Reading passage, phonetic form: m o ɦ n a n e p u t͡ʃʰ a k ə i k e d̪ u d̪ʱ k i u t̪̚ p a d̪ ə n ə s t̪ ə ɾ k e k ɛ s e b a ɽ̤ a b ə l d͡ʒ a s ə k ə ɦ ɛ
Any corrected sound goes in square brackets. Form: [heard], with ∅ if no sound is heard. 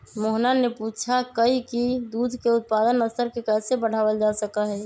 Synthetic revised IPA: m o ɦ n a n e p u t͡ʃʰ a k ə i k [i] d̪ u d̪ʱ k [e] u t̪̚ p a d̪ ə n ə s t̪ ə ɾ k e k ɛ s e b [ə] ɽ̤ a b ə l d͡ʒ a s ə k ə ɦ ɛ